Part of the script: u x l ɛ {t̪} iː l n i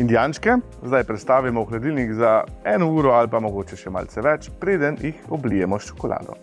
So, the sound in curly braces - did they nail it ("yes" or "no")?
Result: no